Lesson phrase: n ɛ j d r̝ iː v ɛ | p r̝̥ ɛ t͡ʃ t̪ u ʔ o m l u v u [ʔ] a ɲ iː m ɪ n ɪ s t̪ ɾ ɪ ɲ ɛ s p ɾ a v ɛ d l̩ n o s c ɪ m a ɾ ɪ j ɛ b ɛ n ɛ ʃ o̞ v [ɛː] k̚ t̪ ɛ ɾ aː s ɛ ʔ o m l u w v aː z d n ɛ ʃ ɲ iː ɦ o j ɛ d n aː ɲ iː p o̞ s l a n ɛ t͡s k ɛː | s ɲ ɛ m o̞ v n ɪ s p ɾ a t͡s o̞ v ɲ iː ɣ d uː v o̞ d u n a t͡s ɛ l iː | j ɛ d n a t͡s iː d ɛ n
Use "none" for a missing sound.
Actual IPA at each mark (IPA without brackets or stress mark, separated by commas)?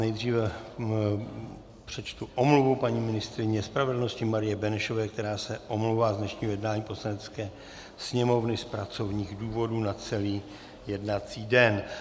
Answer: p, ɛː